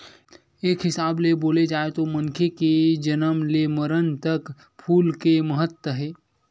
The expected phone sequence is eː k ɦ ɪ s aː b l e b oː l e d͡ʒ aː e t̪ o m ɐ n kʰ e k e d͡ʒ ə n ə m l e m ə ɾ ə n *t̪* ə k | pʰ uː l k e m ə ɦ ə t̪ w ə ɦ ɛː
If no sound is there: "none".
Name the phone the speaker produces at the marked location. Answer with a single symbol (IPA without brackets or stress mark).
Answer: t̪